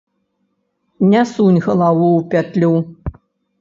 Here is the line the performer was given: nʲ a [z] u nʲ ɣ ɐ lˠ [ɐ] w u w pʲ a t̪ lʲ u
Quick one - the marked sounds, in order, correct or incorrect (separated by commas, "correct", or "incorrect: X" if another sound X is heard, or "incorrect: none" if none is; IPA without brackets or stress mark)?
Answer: incorrect: s, incorrect: a